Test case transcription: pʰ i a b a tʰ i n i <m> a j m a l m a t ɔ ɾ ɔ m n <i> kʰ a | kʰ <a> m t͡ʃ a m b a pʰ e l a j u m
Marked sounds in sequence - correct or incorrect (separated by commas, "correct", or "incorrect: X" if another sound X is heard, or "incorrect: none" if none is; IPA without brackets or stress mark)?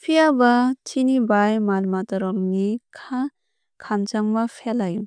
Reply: incorrect: b, correct, correct